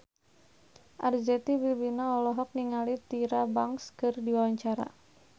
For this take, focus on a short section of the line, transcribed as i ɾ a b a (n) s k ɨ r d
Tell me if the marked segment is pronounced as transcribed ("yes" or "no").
no